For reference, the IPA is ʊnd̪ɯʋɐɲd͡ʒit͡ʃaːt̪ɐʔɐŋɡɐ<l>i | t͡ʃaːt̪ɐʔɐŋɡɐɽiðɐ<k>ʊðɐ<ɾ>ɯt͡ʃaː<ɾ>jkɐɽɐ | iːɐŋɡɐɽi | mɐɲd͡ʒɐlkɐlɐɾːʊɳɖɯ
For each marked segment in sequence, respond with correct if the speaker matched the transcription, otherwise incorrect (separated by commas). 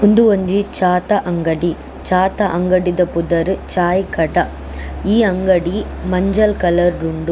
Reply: incorrect, incorrect, correct, incorrect